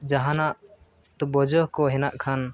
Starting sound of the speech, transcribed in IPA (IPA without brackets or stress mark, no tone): d͡ʒ